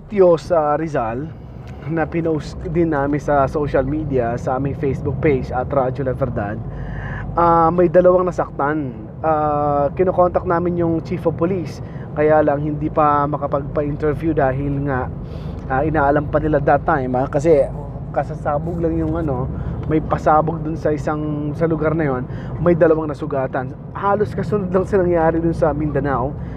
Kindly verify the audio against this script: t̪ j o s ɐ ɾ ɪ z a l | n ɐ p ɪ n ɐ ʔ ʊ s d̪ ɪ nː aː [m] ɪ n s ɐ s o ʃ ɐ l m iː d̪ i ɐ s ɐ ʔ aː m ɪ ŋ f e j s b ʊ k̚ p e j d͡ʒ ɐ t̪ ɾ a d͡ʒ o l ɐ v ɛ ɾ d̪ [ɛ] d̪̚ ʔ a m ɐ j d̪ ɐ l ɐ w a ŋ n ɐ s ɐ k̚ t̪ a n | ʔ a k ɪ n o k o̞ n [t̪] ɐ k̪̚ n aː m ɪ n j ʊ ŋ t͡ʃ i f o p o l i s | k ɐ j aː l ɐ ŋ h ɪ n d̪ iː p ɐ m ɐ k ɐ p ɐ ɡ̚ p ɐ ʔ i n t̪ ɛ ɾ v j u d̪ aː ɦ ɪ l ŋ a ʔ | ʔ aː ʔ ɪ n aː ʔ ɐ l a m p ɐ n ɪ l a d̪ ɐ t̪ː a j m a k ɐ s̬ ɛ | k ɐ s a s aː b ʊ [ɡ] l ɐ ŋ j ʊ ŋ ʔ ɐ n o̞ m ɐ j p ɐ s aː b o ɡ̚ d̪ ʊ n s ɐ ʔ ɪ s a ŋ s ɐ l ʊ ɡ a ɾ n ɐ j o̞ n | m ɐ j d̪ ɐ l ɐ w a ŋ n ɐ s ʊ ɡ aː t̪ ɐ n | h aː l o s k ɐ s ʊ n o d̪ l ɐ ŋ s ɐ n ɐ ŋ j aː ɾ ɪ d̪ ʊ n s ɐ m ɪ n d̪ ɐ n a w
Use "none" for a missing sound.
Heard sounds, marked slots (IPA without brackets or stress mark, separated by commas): m, a, t̪, ɡ